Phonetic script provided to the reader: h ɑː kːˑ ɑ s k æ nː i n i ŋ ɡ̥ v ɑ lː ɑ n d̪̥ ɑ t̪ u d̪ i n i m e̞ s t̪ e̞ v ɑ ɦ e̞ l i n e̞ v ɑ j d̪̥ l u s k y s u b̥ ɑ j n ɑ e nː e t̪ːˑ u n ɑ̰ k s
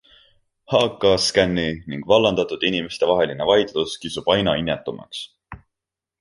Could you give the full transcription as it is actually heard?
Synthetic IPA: h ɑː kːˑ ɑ s k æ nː i n i ŋ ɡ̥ v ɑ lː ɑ n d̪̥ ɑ t̪ u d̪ i n i m e̞ s t̪ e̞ v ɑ ɦ e̞ l i n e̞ v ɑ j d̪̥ l u s k i s u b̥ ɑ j n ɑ i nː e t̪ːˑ u m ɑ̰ k s